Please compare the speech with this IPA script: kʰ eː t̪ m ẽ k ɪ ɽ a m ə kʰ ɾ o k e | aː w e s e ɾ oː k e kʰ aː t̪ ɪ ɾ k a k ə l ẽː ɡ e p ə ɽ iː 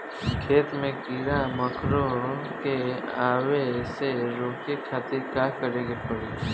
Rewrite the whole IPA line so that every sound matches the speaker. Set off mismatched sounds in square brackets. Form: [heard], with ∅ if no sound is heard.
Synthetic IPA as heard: kʰ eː t̪ m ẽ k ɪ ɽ a m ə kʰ ɾ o k e | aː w e s e ɾ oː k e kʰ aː t̪ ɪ ɾ k a k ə [ɾ] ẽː ɡ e p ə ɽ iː